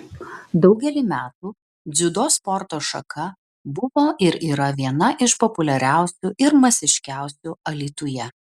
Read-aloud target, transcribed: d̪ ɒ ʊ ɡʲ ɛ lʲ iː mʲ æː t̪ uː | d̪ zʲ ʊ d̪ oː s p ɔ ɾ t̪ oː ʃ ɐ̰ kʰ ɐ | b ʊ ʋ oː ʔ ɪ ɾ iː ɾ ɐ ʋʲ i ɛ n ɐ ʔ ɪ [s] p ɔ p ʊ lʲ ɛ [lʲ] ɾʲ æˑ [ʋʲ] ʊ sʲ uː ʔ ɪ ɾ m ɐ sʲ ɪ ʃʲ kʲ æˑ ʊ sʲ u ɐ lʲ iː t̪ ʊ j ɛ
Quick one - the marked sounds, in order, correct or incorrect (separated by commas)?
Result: incorrect, incorrect, incorrect